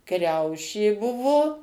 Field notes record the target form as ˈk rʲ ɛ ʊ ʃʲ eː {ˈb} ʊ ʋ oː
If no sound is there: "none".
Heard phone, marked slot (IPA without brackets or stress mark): b